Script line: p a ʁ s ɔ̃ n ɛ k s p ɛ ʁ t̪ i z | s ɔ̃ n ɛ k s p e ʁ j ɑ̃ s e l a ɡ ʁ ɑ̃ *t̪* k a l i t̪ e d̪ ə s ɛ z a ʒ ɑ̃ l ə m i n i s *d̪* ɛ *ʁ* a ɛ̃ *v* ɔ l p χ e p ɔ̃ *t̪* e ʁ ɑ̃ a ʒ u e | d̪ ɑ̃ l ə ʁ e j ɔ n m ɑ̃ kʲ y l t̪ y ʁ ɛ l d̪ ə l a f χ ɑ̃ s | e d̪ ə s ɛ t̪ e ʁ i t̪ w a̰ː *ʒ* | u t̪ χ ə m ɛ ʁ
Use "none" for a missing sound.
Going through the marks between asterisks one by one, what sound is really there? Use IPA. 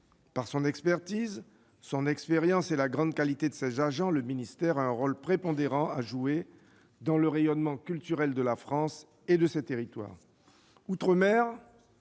d̪, t̪, ʁ, ʁ, d̪, ʁ

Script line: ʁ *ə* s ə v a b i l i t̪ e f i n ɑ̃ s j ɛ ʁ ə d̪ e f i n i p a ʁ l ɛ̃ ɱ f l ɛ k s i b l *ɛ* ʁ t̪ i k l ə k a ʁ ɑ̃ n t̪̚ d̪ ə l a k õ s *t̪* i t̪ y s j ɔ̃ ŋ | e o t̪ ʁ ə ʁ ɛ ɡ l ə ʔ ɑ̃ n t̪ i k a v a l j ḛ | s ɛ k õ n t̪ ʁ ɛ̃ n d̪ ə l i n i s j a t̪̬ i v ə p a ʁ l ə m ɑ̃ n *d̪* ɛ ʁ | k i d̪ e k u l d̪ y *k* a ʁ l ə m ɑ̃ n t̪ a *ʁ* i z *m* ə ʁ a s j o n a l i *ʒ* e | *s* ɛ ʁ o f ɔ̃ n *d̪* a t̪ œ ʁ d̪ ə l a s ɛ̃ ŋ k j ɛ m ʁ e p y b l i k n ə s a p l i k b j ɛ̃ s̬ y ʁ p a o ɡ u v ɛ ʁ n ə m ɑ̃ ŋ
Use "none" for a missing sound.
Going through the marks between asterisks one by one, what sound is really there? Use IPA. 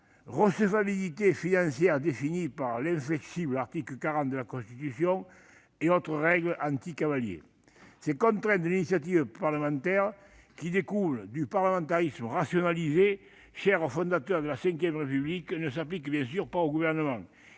ə, a, t̪, t̪, p, ʁ, m, z, ʃ, d̪

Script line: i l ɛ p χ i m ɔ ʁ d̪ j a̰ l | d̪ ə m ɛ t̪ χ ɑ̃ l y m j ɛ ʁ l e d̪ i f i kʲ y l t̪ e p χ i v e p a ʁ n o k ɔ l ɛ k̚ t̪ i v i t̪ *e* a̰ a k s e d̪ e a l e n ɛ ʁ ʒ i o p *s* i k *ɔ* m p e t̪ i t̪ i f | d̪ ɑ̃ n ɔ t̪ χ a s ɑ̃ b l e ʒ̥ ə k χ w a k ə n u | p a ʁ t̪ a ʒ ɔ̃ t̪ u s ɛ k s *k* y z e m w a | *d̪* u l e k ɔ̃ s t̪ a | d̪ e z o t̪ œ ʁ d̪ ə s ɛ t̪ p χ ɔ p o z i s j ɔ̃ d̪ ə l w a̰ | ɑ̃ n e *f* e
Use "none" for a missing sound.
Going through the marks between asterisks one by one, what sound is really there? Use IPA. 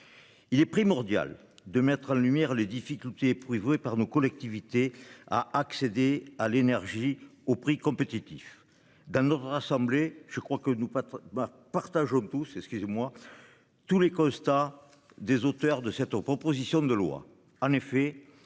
e, χ, ɔ̃, k, t̪, f

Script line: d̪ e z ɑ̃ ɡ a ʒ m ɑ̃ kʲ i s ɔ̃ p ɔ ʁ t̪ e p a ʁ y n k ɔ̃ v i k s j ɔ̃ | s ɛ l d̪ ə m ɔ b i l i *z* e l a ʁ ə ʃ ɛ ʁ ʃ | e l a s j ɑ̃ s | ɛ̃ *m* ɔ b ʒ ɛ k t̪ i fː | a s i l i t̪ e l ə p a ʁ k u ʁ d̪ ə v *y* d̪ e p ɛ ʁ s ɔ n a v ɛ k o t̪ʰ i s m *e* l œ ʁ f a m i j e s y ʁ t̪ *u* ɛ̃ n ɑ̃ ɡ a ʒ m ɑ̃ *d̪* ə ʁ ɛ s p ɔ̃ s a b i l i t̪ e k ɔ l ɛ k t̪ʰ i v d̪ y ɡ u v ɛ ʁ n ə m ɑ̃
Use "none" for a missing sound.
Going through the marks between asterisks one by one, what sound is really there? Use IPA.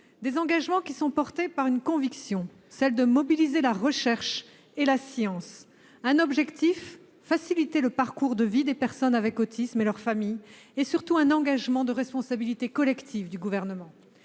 z, n, i, e, u, d̪

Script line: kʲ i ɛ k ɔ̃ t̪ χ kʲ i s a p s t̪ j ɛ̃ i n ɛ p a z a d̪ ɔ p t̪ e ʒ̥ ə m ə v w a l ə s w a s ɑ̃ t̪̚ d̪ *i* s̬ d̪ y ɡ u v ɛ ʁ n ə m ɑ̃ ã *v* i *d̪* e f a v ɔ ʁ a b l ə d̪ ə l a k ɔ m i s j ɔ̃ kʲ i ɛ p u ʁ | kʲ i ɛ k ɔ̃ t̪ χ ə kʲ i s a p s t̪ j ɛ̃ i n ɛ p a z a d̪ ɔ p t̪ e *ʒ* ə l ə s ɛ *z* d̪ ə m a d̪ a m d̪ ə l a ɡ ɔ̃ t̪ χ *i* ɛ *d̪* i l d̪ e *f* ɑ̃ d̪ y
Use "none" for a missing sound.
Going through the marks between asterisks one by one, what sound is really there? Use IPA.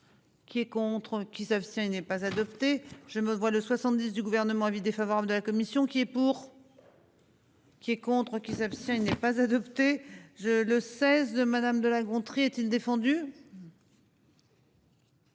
i, v, d̪, ʒ, z, i, t̪, f

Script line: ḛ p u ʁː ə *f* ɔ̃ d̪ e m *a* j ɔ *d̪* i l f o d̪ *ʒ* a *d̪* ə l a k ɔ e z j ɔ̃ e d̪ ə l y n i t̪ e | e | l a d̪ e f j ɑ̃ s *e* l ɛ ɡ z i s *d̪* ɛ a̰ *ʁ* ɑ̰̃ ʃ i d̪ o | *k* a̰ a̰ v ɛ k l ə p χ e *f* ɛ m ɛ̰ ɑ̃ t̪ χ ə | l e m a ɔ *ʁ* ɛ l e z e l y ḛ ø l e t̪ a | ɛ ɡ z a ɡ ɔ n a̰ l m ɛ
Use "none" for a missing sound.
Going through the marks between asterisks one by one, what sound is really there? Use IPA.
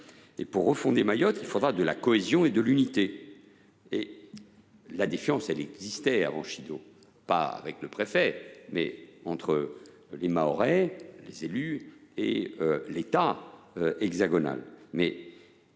f, a, t̪, ʁ, d̪, ɛ, t̪, v, p, f, ʁ

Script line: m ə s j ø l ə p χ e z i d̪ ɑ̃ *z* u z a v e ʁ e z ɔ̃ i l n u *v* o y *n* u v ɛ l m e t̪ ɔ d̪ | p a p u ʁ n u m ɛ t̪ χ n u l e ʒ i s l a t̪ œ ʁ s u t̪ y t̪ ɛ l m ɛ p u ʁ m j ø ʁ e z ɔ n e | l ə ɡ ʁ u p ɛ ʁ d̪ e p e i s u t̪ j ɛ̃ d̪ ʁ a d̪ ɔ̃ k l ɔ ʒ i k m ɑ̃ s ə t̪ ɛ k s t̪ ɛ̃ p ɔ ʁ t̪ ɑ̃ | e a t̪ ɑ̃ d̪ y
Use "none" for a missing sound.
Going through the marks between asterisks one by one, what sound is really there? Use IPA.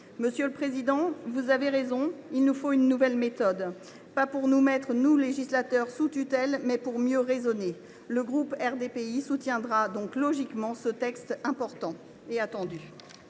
v, f, nː

